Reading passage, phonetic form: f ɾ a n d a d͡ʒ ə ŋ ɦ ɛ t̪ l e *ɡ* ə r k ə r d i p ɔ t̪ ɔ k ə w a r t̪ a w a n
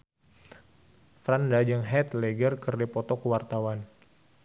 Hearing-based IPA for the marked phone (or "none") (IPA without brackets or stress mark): ɡ